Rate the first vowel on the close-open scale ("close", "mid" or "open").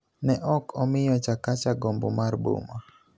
mid